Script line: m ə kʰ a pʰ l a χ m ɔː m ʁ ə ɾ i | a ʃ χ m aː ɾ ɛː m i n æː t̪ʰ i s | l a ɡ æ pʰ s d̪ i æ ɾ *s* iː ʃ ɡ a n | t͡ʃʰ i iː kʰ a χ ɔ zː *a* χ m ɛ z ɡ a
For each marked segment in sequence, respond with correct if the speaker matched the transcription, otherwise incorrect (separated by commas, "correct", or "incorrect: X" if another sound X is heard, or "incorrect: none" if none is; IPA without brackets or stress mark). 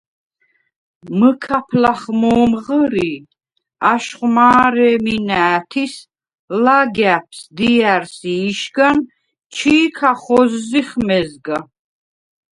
correct, incorrect: i